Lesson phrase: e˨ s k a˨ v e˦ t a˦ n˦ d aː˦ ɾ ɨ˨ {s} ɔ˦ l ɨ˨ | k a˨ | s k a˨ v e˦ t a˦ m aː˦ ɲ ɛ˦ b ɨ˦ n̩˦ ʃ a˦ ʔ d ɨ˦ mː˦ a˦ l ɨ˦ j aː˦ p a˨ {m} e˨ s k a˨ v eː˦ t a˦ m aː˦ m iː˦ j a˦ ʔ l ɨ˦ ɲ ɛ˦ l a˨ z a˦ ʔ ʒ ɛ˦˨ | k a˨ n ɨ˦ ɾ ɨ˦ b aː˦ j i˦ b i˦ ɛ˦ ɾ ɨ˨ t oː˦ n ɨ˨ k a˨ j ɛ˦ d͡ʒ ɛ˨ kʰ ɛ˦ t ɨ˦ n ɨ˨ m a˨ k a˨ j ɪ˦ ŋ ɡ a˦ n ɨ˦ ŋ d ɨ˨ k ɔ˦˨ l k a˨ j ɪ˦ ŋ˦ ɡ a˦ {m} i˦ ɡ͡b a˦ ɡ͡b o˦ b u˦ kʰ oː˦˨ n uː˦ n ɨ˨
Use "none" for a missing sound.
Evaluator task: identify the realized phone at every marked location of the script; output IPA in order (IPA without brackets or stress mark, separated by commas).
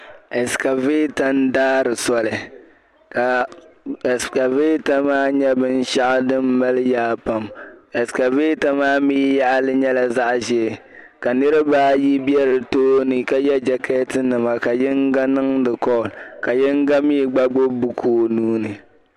s, m, m